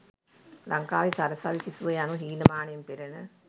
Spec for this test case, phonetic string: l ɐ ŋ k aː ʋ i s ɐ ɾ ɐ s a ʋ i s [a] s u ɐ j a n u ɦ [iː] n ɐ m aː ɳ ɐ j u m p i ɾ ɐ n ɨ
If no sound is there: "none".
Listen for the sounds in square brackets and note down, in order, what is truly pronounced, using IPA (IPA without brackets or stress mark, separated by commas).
i, iː